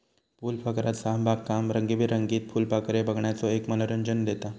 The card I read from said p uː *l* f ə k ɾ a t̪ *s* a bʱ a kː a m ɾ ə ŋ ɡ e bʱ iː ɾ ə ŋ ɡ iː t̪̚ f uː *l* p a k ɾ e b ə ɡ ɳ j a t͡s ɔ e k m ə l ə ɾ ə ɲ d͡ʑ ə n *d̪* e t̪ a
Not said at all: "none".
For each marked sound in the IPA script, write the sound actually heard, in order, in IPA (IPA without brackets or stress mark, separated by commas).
l, s, l, d̪